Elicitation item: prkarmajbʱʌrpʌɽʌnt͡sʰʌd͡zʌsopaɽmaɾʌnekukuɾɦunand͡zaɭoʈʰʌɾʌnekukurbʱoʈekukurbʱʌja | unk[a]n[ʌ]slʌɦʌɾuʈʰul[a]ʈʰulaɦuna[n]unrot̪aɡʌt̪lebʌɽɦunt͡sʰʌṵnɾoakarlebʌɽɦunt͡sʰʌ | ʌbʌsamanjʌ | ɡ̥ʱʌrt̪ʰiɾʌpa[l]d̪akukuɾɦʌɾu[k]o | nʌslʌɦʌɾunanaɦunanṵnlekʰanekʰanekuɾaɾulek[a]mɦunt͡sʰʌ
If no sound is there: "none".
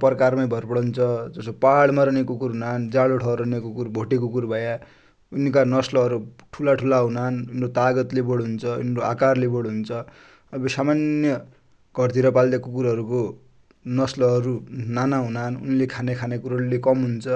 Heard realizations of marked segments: a, ʌ, a, n, l, k, ʌ

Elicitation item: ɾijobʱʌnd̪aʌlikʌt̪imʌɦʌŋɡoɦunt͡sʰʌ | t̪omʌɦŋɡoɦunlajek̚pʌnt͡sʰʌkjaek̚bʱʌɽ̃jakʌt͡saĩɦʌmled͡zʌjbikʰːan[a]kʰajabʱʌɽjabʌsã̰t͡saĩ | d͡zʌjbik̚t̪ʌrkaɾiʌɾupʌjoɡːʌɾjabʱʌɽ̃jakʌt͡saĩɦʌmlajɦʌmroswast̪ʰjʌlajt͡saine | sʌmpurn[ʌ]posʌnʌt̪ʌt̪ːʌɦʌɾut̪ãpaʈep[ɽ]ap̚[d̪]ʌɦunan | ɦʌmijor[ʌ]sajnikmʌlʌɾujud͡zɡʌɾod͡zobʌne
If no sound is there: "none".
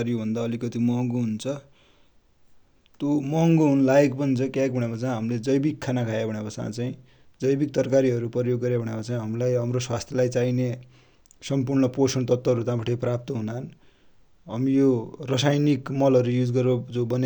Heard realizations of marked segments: a, ʌ, r, t̪, ʌ

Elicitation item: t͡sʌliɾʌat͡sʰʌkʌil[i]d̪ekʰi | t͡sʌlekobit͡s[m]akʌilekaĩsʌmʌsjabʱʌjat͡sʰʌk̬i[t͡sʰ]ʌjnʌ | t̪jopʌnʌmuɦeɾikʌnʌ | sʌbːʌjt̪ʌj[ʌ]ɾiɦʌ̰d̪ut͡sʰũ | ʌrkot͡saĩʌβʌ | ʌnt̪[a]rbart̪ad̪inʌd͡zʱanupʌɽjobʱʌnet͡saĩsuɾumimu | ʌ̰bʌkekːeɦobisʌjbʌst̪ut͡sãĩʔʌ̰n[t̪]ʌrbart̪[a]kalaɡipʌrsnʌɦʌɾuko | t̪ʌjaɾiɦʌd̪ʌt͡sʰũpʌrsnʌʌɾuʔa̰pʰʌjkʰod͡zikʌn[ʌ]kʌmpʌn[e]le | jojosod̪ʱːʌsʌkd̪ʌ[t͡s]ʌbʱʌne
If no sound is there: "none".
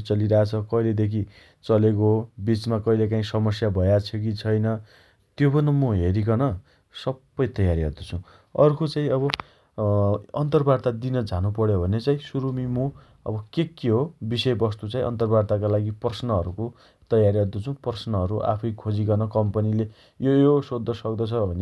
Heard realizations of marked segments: e, m, t͡sʰ, a, ʌ, t̪, a, ʌ, i, t͡sʰ

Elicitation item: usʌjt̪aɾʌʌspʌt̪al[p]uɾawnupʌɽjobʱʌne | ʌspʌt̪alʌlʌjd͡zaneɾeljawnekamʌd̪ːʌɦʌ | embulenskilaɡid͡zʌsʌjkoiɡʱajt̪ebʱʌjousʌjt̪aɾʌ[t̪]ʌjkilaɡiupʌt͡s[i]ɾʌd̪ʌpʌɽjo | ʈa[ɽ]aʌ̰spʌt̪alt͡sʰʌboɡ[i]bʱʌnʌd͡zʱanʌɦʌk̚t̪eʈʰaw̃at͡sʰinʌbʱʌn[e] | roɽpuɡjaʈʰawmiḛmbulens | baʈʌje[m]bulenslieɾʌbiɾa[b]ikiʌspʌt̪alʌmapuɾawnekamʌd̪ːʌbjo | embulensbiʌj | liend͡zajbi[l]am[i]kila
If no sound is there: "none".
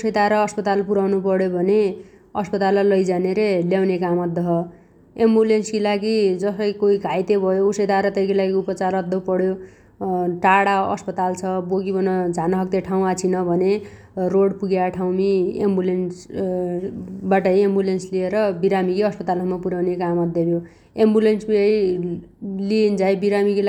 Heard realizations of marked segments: p, t̪, a, ɽ, i, e, m, m, ɾ, i

